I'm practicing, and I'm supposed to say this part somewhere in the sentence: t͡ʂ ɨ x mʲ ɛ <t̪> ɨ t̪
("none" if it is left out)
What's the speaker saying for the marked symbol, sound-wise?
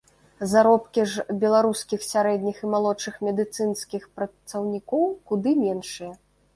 d̪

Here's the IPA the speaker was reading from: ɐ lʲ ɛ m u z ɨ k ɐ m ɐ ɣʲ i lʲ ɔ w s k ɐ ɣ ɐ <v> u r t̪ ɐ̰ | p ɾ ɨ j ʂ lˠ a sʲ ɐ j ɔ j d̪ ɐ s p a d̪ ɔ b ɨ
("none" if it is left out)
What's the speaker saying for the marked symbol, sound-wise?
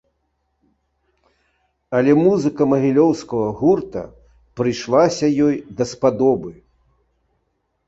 ɣ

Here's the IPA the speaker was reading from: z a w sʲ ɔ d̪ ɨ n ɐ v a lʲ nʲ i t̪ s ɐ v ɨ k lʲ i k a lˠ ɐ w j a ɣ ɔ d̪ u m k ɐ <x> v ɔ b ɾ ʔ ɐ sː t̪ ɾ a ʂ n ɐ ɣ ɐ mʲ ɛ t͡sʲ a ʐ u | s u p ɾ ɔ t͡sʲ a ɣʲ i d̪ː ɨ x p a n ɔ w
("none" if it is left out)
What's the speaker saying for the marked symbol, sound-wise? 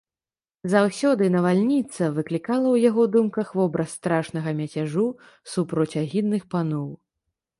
x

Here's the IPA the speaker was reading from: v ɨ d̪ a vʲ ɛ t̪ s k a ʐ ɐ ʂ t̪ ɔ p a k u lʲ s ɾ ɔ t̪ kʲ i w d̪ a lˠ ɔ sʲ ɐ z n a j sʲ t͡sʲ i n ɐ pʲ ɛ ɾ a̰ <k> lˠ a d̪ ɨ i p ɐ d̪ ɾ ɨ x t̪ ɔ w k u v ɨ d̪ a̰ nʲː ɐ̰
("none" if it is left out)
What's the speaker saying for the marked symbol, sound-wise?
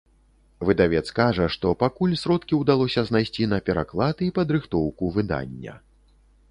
k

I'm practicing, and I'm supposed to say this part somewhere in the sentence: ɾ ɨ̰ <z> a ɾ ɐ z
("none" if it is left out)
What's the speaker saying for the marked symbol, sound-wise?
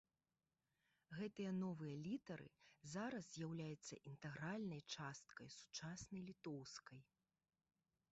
z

